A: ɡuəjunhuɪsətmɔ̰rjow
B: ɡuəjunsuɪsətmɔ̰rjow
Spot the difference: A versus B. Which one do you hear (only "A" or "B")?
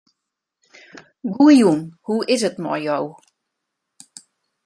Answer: A